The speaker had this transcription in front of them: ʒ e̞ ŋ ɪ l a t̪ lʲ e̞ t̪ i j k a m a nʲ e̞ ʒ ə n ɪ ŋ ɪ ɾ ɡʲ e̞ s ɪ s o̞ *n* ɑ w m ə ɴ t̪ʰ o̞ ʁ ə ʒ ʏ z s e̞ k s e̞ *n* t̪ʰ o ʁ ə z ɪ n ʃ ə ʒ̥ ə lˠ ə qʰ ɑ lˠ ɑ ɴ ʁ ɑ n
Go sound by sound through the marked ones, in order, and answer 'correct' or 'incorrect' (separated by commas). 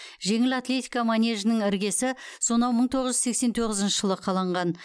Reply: correct, correct